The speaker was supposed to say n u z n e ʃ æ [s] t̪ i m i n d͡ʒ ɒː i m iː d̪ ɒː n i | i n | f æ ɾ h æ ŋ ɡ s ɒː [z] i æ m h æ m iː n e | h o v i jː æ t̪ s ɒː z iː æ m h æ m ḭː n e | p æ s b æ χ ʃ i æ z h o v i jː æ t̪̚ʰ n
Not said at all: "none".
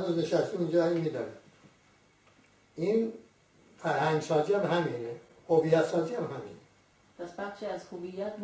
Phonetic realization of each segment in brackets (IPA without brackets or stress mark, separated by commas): s, z